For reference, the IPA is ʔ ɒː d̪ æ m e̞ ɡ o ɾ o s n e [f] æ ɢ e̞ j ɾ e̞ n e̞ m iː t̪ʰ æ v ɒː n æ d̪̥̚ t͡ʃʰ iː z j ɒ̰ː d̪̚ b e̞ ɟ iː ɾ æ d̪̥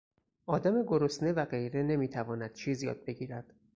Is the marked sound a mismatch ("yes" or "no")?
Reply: yes